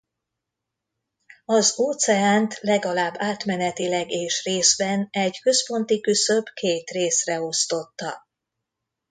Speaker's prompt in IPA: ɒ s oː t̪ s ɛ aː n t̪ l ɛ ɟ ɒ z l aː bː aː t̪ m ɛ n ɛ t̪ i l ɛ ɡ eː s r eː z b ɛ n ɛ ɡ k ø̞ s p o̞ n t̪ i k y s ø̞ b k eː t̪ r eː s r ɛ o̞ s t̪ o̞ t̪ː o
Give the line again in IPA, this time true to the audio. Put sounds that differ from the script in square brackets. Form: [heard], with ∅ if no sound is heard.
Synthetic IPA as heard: ɒ [z] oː t̪ s ɛ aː n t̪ l ɛ [ɡ] ɒ [∅] l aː bː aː t̪ m ɛ n ɛ t̪ i l ɛ ɡ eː [ʃ] r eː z b ɛ n ɛ [ɟ] k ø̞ s p o̞ n t̪ i k y s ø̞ b k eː t̪ r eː s r ɛ o̞ s t̪ o̞ t̪ː [ɒ]